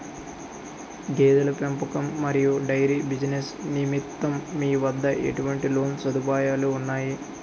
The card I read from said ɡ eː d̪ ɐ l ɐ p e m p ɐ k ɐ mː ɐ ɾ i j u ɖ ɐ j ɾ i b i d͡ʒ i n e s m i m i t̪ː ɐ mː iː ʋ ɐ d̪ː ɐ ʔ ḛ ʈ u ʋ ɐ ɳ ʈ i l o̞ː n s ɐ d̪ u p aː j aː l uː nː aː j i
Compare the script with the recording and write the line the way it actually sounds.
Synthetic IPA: ɡ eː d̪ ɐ l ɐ p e m p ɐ k ɐ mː ɐ ɾ i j u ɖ ɐ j ɾ i b i d͡ʒ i n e s n i m i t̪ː ɐ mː iː ʋ ɐ d̪ː ɐ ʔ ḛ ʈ u ʋ ɐ ɳ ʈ i l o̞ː n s ɐ d̪ u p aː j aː l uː nː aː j i